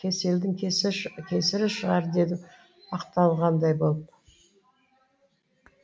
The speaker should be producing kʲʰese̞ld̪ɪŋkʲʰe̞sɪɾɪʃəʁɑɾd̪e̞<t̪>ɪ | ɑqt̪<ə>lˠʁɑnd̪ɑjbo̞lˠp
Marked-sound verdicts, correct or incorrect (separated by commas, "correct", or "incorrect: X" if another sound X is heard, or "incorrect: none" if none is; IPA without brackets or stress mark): incorrect: d̪, incorrect: ɑ